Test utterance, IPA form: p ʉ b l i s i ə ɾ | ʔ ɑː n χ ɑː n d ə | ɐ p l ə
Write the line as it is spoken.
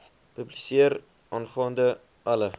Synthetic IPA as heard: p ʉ b l i s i ə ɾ | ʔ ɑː n χ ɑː n d ə | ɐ l ə